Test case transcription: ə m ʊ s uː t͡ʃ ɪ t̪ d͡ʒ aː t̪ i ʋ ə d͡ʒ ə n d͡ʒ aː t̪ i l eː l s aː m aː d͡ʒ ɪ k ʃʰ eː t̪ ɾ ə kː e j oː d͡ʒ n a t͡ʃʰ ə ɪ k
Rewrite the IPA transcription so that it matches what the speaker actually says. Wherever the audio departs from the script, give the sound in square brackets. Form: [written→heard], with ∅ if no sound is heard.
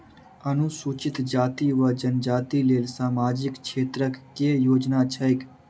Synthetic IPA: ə [m→n] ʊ s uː t͡ʃ ɪ t̪ d͡ʒ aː t̪ i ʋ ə d͡ʒ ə n d͡ʒ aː t̪ i l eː l s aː m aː d͡ʒ ɪ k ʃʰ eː t̪ ɾ ə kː e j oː d͡ʒ n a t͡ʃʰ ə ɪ k